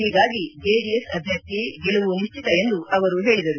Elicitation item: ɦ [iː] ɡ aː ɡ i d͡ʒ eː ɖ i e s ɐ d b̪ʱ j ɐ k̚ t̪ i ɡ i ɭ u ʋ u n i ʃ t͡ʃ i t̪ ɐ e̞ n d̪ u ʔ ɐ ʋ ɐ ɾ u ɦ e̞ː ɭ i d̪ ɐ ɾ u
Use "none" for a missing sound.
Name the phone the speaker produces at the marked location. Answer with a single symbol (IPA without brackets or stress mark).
iː